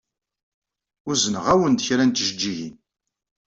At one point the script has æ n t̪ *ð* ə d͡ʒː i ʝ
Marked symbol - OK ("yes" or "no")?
no